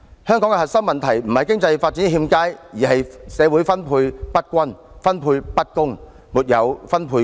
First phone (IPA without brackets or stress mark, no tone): h